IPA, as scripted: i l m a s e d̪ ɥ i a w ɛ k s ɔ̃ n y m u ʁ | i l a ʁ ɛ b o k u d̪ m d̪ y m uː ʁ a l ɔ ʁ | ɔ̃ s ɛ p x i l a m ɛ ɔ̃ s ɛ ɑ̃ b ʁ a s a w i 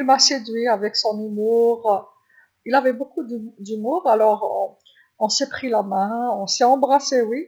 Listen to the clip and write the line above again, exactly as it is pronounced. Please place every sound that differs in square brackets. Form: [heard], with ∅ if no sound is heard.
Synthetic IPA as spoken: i l m a s e d̪ ɥ i a [v] ɛ k s ɔ̃ n y m u ʁ | i l a [v] ɛ b o k u d̪ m d̪ y m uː ʁ a l ɔ ʁ | ɔ̃ s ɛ p [χ] i l a m [ɛ̃] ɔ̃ s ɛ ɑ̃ b ʁ a s [e] w i